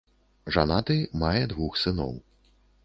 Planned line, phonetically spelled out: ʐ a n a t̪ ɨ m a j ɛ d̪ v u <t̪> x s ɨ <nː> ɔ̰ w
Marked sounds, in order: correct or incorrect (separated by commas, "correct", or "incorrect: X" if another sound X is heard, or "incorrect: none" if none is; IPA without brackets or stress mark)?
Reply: incorrect: none, incorrect: n